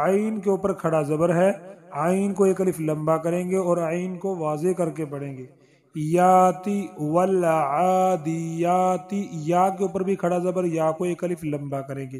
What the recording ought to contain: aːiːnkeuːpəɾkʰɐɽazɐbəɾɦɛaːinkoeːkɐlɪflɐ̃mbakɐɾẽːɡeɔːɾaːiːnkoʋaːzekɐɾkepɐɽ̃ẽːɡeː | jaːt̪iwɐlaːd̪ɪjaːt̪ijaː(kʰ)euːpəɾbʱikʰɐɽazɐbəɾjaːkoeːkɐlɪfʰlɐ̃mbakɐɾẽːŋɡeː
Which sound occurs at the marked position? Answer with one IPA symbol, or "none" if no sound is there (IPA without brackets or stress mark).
k